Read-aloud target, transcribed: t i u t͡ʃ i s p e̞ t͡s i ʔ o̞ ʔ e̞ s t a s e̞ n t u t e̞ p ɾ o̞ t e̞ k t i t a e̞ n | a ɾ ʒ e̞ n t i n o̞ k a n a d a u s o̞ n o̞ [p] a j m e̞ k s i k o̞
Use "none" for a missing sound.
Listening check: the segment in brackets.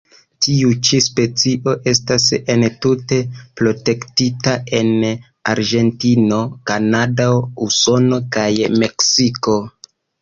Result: k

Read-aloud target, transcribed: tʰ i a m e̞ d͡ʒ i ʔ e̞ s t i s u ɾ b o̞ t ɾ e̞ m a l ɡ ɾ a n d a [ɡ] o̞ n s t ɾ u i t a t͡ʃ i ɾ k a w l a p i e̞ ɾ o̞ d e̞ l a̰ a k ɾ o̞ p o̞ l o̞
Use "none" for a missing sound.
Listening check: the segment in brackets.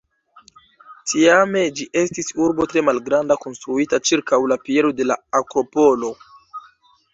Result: k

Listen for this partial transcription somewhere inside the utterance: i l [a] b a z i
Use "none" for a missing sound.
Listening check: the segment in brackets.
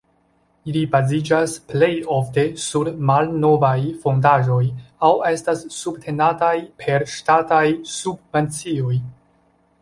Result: i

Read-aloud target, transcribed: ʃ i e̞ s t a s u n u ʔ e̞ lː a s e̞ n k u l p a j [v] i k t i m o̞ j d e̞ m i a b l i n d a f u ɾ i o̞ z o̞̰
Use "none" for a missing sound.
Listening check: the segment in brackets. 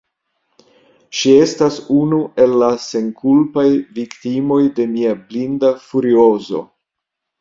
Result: v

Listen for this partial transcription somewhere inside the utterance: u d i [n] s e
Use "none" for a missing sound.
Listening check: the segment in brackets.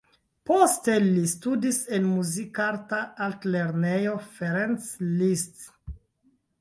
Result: none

